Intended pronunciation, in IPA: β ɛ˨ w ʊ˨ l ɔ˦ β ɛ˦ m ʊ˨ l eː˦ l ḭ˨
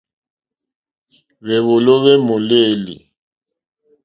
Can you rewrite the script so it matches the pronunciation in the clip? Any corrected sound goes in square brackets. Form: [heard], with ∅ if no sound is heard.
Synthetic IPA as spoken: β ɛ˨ [β] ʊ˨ l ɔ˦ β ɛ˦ m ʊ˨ l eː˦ l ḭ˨